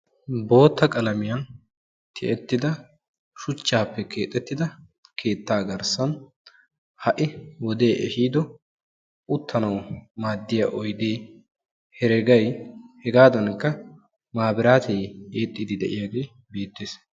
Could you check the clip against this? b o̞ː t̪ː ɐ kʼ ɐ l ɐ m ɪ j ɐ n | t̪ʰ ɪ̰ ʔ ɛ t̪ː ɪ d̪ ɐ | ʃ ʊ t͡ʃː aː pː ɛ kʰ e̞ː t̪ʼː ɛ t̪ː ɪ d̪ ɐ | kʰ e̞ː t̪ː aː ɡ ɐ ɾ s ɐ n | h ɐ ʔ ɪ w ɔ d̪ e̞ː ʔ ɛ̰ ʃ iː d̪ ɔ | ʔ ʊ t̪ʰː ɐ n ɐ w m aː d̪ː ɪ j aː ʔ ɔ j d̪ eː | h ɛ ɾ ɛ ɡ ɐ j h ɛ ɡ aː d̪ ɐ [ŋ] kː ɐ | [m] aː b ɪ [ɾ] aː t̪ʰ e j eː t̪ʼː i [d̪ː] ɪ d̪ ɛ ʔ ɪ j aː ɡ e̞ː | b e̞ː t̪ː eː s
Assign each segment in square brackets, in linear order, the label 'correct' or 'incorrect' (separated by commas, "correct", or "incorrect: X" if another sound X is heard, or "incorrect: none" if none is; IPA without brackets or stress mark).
incorrect: n, correct, correct, incorrect: d̪